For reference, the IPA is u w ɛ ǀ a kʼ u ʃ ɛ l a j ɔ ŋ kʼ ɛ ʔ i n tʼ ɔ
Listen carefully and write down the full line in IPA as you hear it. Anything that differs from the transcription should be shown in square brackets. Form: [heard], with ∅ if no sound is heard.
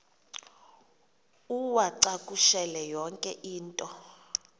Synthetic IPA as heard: u w [a] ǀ a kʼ u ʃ ɛ l [ɛ] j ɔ ŋ kʼ ɛ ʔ [iː] n tʼ ɔ